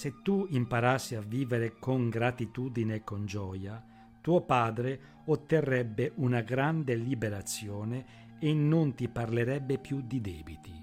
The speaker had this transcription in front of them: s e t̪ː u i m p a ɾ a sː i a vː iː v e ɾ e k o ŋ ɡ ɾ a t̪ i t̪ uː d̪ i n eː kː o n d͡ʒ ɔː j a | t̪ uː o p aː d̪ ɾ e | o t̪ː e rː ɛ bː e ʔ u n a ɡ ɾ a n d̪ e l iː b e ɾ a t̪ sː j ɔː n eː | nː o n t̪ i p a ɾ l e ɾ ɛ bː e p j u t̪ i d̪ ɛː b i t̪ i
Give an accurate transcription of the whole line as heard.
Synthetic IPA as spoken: s e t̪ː u i m p a ɾ a sː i a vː iː v e ɾ e k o ŋ ɡ ɾ a t̪ i t̪ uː d̪ i n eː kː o n d͡ʒ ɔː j a | t̪ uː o p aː d̪ ɾ e | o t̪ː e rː ɛ bː e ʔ u n a ɡ ɾ a n d̪ e l i b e ɾ a t̪ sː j ɔː n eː | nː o n t̪ i p a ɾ l e ɾ ɛ bː e p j u d̪ i d̪ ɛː b i t̪ i